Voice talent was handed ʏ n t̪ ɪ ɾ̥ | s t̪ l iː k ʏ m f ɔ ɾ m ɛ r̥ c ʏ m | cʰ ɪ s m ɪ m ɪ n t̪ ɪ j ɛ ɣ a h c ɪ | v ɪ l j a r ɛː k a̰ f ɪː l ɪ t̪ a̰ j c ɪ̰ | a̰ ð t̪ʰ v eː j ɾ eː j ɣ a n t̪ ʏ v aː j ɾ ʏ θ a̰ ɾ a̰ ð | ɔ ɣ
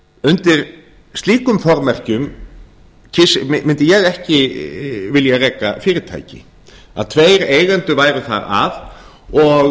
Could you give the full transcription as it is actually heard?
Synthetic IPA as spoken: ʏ n t̪ ɪ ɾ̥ | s t̪ l iː k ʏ m f ɔ ɾ m ɛ r̥ c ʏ m | cʰ ɪ s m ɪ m ɪ n t̪ ɪ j ɛ ɣ ɛ h c ɪ | v ɪ l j a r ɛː k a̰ f ɪː ɾ ɪ t̪ʰ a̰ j c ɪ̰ | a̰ ð t̪ʰ v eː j ɾ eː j ɣ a n t̪ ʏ v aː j ɾ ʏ θ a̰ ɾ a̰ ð | ɔ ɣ